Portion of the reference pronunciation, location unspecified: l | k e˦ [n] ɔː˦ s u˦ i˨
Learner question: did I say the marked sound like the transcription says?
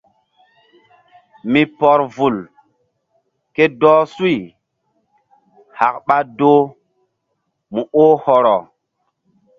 no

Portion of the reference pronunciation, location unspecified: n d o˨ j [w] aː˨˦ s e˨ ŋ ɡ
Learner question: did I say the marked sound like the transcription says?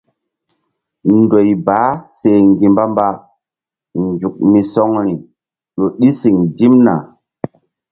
no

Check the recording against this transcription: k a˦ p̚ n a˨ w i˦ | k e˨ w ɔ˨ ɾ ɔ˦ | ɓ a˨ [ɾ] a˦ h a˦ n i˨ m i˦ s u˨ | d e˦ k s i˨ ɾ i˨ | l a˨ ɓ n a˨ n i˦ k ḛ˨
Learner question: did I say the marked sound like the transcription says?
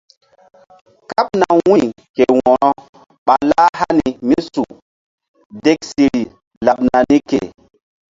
no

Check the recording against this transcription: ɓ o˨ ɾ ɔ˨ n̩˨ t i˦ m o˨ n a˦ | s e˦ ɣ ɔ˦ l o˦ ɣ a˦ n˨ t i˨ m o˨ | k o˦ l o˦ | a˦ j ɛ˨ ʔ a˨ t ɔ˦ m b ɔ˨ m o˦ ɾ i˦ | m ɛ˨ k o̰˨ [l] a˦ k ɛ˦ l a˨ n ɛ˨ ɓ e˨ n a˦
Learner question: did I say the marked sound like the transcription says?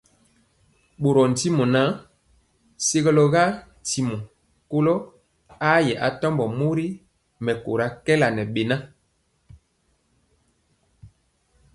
no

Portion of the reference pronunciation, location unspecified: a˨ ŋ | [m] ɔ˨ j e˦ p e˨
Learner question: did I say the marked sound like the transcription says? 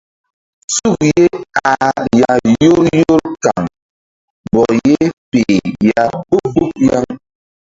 no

